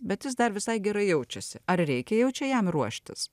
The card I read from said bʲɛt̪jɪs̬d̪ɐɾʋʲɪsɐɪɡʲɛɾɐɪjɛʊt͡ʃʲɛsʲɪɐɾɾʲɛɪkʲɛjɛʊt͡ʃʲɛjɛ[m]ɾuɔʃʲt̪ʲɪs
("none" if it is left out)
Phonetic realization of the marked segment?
m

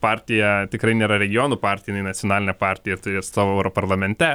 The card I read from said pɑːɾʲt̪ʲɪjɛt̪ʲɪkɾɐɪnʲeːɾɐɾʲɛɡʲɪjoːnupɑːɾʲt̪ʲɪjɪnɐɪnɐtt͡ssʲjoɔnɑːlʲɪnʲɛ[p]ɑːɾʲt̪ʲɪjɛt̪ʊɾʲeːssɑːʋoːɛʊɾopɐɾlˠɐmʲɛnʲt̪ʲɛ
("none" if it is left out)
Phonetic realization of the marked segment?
p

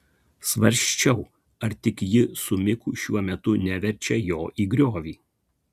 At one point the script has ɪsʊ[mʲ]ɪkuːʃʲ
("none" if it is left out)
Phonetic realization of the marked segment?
mʲ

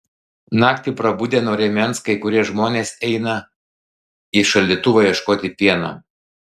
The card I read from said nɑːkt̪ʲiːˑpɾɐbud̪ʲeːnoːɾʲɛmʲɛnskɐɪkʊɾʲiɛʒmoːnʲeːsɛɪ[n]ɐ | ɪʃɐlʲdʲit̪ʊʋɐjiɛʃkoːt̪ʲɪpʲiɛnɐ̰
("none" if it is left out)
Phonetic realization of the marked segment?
n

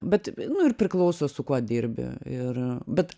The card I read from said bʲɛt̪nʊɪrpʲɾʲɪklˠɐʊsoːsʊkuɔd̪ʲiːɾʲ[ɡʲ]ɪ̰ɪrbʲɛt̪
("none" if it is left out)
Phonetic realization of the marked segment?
bʲ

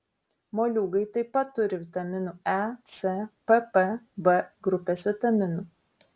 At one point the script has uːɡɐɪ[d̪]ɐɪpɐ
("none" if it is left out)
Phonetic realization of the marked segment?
t̪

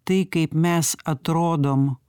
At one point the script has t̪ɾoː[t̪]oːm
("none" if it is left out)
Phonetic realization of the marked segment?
d̪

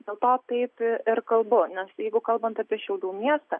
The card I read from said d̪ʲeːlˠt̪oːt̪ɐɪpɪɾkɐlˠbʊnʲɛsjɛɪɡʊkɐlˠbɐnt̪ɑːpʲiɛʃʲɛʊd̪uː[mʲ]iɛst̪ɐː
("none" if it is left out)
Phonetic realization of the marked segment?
mʲ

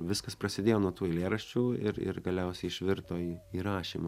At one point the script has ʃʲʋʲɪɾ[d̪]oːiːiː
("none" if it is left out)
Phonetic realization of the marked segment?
t̪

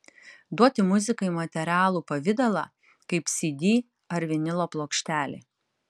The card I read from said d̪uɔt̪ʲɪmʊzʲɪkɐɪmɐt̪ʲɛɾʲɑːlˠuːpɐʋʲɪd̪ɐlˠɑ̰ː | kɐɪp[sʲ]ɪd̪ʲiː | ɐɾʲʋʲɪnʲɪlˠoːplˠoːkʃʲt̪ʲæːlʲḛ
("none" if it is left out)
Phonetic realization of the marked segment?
sʲ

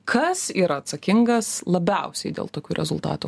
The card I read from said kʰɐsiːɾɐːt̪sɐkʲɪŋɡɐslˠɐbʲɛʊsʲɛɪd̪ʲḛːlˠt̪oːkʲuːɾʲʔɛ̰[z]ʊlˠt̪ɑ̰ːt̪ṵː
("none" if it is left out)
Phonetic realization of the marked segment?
z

